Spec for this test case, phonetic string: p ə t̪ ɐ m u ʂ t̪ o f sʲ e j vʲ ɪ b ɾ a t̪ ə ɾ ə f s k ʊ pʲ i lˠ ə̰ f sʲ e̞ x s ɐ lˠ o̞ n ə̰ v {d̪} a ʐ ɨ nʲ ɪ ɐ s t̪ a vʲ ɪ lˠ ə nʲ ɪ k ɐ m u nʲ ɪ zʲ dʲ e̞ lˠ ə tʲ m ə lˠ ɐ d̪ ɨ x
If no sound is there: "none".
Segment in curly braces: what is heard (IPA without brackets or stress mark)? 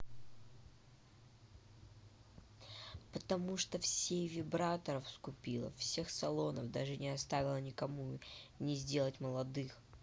d̪